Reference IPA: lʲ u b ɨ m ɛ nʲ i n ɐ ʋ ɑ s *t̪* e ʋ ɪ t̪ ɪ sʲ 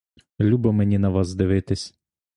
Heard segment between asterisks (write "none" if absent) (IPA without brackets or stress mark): d̪